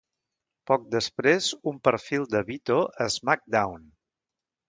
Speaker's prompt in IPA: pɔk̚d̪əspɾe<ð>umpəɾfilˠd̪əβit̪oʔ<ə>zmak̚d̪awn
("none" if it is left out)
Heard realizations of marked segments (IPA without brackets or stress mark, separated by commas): z, ə